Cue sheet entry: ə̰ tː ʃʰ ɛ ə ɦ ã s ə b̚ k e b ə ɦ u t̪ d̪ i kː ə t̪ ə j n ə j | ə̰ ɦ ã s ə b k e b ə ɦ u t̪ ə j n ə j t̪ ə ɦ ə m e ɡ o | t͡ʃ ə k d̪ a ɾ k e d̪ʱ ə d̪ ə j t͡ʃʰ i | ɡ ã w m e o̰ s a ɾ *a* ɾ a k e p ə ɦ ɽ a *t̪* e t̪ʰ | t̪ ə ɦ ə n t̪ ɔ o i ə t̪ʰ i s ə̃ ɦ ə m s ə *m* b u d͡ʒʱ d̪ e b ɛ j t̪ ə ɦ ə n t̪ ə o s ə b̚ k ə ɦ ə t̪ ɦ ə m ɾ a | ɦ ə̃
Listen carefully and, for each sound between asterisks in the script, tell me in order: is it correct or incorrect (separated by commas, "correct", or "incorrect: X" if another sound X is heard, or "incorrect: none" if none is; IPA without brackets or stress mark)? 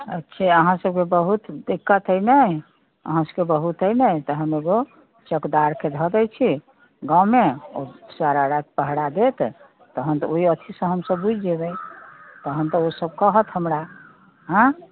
correct, incorrect: d̪, incorrect: b